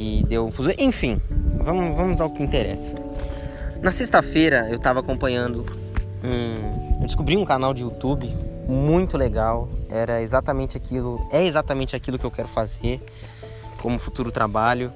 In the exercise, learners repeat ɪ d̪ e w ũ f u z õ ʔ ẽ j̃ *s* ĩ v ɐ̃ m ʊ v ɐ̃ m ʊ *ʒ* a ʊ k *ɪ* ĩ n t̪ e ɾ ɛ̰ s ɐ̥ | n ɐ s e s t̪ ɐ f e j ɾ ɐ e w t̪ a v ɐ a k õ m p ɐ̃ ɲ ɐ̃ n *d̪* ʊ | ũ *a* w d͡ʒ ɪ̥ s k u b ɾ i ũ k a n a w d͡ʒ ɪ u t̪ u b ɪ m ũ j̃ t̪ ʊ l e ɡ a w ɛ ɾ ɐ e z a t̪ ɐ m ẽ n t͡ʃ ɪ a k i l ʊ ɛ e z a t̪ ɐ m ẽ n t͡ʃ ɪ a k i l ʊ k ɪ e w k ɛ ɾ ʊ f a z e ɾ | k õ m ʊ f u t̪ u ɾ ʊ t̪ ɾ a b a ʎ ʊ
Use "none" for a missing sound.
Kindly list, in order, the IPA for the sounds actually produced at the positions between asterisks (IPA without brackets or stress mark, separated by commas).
f, z, ɪ, d̪, e